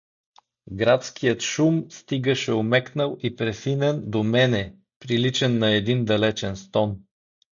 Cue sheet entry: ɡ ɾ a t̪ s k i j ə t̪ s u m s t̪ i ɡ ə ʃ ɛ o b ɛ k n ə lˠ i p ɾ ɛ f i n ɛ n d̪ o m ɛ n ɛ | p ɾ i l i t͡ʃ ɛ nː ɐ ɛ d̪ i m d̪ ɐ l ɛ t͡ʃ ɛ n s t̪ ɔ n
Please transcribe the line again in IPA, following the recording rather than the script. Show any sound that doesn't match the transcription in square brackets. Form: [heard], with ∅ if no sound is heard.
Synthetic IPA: ɡ ɾ a t̪ s k i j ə t̪ [ʃ] u m s t̪ i ɡ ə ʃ ɛ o [m] ɛ k n ə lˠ i p ɾ ɛ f i n ɛ n d̪ o m ɛ n ɛ | p ɾ i l i t͡ʃ ɛ nː ɐ ɛ d̪ i [n] d̪ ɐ l ɛ t͡ʃ ɛ n s t̪ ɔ n